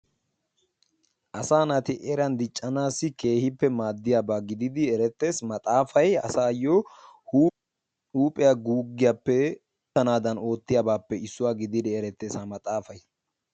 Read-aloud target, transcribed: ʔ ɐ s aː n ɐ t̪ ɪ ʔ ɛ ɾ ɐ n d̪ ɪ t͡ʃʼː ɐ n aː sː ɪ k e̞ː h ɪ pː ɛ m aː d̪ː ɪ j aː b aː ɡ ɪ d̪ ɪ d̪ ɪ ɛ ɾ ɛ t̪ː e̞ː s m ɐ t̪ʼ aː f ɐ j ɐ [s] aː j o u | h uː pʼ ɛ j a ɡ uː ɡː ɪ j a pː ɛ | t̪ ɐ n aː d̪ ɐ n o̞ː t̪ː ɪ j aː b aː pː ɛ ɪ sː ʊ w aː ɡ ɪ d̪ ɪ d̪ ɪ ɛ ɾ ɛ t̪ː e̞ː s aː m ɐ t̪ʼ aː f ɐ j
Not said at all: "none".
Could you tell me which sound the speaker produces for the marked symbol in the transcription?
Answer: s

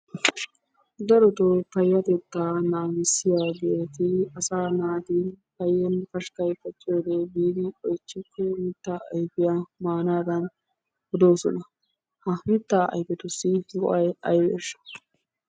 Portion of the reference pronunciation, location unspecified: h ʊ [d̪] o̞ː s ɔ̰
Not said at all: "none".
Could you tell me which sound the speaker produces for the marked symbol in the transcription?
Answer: d̪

